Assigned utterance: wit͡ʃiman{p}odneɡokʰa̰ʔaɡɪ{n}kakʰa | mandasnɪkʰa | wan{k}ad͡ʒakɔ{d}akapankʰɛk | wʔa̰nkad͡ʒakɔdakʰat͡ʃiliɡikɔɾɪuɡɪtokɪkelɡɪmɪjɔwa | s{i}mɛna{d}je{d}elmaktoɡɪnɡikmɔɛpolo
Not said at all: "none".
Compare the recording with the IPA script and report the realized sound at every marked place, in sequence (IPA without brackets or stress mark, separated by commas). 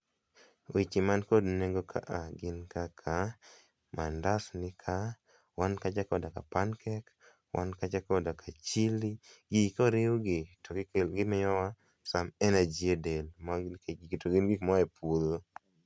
k, n, k, d, a, d͡ʒ, d